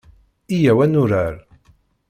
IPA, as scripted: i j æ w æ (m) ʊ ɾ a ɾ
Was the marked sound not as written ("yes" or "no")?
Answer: yes